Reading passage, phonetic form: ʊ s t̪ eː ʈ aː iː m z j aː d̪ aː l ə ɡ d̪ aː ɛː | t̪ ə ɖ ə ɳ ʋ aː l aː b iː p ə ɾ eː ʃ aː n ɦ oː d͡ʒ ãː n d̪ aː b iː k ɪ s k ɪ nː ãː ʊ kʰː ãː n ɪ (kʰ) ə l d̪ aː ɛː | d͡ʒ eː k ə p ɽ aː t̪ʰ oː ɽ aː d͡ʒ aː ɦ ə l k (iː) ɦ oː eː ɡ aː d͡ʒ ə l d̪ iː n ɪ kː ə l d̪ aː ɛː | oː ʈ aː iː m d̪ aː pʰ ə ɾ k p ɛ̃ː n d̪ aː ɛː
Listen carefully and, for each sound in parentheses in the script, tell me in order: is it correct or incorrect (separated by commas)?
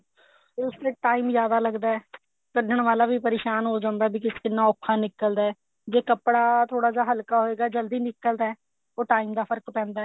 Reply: incorrect, incorrect